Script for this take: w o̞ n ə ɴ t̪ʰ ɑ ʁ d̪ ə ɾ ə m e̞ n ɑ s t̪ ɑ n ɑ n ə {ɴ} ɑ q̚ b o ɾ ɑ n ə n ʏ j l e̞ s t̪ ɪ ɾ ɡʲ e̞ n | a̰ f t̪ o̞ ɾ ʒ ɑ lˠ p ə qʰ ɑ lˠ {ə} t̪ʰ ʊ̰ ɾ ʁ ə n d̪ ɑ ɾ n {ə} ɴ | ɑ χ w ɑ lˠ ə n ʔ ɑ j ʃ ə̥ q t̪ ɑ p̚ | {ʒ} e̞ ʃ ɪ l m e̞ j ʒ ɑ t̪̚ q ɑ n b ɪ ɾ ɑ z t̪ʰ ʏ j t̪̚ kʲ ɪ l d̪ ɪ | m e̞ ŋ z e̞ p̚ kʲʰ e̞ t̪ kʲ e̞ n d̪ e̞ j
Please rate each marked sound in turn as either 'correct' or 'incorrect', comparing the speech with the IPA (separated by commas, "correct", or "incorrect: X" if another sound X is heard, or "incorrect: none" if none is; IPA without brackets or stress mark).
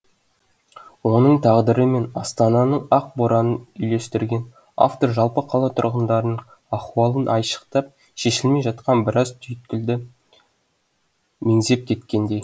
correct, incorrect: ɑ, correct, incorrect: ʃ